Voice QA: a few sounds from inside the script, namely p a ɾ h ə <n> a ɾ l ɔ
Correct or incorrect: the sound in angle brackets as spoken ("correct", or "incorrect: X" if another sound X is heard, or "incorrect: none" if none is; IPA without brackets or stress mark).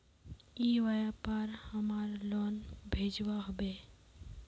incorrect: m